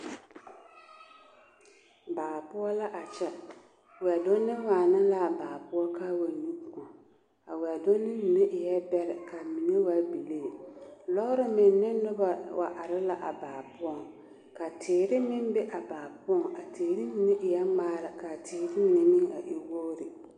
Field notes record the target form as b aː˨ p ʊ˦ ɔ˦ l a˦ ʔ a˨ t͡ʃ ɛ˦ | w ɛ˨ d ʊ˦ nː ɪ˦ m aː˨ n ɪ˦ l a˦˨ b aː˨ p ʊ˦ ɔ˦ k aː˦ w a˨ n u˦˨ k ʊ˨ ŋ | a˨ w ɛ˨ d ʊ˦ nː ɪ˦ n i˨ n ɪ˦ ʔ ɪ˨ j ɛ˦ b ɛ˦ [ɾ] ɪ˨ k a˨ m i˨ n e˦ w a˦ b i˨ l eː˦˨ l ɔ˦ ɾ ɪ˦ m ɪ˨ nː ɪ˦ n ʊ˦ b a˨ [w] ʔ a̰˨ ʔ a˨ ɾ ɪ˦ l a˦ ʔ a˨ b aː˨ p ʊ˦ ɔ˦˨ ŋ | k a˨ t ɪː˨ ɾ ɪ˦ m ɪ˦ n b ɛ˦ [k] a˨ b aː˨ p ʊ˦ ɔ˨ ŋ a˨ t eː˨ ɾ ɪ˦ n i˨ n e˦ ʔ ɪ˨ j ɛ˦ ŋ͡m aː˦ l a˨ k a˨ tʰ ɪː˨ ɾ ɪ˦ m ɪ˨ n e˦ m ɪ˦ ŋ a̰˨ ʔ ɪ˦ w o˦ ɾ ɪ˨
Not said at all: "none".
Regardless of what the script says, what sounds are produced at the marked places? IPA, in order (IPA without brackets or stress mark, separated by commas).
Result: ɾ, w, ʔ